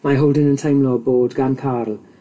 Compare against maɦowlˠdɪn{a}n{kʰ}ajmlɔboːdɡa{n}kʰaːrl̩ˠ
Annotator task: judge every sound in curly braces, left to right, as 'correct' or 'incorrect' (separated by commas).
incorrect, incorrect, correct